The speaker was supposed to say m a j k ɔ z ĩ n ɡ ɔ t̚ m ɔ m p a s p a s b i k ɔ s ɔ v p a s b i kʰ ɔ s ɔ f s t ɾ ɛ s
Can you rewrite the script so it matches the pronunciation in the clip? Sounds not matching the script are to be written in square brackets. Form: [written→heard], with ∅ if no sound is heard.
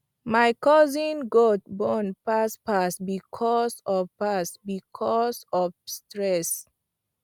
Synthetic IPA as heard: m a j k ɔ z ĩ n ɡ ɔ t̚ [m→b] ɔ [m→n] p a s p a s b i [k→kʰ] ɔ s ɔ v p a s b i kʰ ɔ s ɔ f s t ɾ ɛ s